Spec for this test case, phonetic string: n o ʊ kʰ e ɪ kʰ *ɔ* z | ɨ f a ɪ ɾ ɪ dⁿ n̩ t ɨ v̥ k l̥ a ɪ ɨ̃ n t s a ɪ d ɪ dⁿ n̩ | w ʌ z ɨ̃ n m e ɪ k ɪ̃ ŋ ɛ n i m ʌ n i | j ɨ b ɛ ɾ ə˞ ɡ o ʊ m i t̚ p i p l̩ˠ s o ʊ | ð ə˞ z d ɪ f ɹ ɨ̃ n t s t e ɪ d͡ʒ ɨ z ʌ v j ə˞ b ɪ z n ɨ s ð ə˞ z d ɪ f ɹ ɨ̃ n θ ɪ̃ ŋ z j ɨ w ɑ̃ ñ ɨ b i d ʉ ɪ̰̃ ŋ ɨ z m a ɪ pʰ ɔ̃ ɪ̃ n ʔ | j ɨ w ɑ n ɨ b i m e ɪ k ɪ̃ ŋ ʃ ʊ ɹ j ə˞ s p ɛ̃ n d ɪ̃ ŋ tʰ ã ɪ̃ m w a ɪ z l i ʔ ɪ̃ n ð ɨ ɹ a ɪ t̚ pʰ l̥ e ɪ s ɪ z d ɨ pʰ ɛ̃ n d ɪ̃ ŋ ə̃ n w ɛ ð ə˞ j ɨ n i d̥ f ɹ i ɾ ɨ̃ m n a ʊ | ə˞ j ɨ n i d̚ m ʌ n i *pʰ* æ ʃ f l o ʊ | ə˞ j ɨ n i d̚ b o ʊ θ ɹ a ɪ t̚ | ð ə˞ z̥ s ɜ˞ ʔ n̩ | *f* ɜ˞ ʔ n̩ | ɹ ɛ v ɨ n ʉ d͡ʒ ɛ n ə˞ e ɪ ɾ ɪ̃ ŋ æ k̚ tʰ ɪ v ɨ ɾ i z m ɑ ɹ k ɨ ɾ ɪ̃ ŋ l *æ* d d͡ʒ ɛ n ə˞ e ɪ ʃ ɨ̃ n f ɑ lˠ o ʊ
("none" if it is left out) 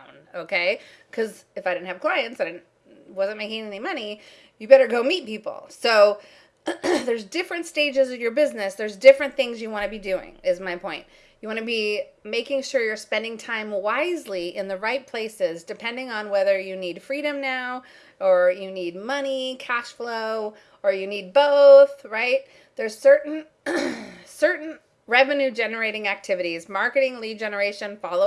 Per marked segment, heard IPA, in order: ʌ, kʰ, s, i

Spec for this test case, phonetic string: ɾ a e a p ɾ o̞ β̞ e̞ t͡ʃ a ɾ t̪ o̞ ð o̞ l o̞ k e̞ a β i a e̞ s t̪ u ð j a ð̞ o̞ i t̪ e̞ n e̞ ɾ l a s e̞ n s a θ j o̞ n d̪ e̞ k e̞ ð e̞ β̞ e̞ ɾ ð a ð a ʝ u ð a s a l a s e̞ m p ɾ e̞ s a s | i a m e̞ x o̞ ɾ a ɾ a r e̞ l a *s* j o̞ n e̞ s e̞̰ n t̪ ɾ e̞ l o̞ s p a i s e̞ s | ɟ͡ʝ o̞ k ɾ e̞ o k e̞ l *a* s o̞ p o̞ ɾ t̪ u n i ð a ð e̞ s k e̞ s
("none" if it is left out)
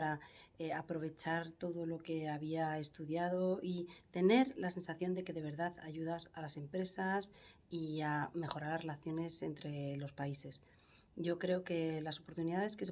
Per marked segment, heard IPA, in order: θ, a

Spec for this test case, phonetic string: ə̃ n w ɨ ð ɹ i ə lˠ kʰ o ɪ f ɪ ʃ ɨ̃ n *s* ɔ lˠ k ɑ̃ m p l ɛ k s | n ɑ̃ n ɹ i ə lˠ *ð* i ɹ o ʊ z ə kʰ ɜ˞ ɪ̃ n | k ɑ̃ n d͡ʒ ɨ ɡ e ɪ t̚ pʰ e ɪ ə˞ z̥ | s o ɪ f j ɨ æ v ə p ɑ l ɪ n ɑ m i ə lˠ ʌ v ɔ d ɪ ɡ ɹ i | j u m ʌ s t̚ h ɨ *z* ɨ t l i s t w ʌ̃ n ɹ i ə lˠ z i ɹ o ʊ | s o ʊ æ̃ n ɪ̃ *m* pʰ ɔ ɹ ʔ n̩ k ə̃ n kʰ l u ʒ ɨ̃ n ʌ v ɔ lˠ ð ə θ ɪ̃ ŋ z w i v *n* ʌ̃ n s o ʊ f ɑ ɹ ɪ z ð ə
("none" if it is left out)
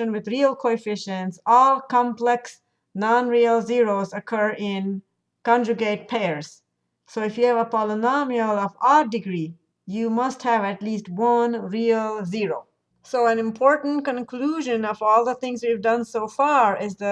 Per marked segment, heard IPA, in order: s, z, v, m, d

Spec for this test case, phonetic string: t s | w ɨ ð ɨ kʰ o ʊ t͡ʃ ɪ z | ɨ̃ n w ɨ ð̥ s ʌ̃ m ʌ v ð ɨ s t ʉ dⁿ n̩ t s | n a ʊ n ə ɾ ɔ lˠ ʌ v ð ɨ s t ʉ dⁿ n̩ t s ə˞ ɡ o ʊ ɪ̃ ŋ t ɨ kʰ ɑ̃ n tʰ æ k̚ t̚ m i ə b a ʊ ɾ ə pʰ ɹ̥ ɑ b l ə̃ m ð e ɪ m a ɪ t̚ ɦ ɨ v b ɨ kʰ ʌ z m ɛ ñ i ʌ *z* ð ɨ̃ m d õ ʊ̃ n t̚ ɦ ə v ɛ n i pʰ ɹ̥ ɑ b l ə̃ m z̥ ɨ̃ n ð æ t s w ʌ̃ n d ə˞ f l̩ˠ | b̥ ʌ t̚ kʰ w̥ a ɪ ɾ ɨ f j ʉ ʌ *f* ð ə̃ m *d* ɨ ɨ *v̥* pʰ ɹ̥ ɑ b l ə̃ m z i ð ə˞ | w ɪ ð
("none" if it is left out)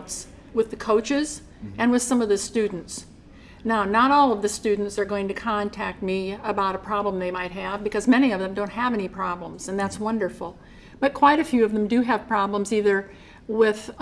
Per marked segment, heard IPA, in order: v, v, d, v̥

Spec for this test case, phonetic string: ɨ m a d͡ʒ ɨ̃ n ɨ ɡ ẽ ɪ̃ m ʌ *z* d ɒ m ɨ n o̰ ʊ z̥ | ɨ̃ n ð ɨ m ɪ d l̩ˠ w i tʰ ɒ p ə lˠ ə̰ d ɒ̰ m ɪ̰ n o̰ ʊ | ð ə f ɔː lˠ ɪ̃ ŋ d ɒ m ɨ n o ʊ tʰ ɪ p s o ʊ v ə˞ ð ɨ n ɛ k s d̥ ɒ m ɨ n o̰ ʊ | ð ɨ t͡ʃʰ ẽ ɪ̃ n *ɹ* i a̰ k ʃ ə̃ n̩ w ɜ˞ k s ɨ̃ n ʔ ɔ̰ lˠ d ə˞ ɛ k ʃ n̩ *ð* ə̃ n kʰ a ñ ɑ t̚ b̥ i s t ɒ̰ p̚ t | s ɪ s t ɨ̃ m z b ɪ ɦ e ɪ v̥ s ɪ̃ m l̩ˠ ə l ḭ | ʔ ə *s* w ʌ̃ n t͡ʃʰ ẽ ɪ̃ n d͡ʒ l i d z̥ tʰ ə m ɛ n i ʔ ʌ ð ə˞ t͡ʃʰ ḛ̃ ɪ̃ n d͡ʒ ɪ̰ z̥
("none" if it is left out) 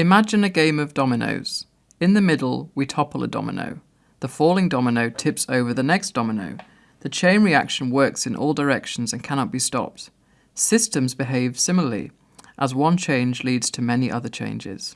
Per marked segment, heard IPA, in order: v, ɹ, z, z

